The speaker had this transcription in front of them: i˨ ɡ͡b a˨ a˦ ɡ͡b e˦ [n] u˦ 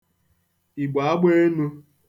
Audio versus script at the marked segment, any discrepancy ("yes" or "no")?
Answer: no